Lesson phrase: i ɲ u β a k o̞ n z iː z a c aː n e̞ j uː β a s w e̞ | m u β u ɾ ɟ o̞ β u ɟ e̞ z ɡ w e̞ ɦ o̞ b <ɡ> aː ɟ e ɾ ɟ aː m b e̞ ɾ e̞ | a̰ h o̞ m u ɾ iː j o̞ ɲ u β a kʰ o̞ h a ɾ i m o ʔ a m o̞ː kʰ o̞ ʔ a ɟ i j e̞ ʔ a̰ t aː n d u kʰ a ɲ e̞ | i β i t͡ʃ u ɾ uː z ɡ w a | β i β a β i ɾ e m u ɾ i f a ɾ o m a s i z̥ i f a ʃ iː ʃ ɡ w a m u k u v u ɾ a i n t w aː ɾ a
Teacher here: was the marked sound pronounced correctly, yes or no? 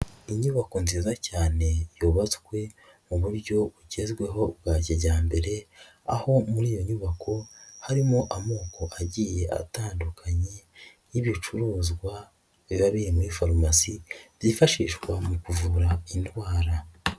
yes